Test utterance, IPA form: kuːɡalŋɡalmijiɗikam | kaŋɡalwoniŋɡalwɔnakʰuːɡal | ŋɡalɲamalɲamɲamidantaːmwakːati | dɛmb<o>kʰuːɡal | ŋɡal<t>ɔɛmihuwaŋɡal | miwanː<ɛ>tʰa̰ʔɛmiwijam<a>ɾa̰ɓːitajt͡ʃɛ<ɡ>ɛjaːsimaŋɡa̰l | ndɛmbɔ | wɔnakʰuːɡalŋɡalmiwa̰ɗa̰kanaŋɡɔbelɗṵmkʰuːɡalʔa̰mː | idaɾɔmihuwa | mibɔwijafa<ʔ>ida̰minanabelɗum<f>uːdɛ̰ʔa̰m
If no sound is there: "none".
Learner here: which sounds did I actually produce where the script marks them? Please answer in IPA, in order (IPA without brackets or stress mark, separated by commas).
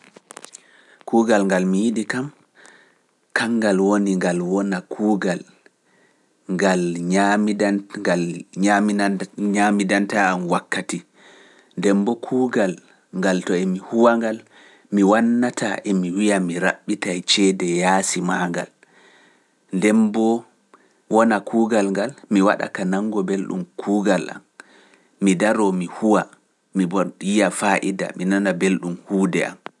ɔ, t, a, i, d, ʔ, h